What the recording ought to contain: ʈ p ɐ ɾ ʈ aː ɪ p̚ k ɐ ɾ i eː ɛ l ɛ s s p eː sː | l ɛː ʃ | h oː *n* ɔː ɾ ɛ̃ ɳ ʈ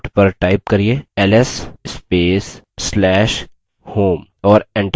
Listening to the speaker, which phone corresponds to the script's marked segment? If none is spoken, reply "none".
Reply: m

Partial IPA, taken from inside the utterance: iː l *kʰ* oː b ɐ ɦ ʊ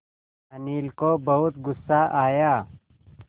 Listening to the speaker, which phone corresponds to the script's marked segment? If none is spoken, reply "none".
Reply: k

